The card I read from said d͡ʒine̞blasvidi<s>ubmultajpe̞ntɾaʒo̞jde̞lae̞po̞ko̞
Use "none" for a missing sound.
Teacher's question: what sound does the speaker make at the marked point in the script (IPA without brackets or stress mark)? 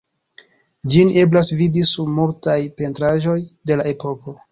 s